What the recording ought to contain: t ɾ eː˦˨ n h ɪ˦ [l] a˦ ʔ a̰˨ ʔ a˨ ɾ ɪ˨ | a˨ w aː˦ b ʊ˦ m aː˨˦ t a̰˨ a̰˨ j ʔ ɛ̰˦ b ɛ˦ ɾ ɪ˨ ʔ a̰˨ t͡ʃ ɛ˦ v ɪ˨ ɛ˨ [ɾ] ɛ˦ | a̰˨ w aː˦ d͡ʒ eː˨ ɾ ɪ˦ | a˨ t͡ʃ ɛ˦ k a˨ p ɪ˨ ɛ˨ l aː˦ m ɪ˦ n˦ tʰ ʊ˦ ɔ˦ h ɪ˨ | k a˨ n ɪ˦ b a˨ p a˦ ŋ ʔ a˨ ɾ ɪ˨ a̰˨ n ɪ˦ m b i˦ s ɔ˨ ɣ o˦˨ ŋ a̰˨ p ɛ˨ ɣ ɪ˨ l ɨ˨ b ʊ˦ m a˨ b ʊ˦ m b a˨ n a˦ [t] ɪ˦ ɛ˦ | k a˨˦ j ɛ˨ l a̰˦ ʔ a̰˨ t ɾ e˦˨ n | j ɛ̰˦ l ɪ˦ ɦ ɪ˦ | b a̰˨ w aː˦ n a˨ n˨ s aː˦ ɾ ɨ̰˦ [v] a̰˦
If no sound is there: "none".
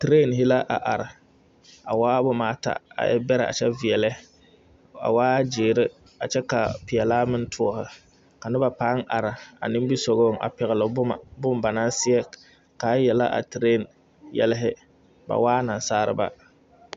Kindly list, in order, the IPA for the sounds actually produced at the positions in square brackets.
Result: l, l, s, b

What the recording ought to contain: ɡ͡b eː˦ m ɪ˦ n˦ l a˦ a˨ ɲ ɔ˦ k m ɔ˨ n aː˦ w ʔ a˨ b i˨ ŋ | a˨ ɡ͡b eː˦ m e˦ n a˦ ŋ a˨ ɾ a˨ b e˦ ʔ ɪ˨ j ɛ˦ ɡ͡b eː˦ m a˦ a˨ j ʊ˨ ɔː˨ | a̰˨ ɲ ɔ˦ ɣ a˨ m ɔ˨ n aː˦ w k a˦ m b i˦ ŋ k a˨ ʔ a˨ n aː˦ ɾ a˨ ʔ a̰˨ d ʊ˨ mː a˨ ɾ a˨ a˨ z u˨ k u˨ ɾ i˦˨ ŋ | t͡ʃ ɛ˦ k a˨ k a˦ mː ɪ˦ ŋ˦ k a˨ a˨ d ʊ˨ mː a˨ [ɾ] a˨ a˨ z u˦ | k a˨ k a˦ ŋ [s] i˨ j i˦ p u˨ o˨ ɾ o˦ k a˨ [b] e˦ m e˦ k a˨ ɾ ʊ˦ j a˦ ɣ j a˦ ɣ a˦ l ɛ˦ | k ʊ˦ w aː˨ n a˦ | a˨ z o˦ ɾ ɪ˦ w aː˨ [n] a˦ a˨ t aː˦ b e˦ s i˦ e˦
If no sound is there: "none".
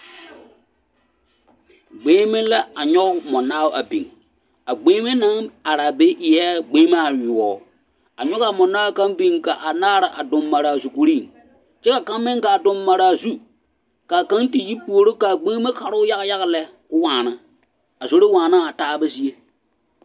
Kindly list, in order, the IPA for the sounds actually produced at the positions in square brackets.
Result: ɾ, t, ɡ͡b, n

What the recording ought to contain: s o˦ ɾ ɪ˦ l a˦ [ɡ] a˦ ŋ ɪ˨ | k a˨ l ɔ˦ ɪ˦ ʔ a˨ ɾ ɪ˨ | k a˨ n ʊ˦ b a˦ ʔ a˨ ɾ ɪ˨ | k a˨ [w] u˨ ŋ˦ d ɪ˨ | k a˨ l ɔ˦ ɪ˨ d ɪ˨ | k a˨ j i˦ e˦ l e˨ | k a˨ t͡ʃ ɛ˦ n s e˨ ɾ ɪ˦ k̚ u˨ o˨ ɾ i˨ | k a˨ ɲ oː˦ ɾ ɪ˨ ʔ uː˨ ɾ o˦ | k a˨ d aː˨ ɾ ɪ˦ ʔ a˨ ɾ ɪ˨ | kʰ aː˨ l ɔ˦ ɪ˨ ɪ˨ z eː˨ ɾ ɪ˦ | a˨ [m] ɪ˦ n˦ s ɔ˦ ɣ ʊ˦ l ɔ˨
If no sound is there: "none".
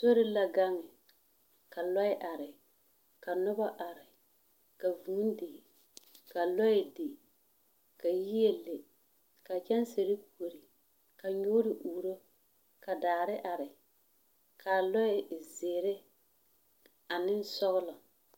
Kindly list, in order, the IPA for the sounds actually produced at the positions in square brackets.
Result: ɡ, v, n

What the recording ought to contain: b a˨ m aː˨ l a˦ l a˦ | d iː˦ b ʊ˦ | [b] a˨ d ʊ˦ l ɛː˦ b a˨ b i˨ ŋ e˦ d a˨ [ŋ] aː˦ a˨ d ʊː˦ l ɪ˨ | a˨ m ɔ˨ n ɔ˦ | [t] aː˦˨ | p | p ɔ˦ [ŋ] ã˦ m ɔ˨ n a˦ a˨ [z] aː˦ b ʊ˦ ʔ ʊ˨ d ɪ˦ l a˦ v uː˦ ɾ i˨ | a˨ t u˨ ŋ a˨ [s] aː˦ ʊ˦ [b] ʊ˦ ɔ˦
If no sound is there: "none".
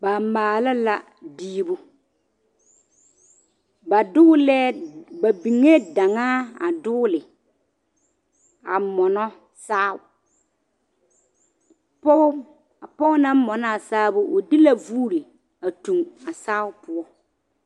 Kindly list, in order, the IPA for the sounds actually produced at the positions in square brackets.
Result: b, ŋ, s, n, s, s, p

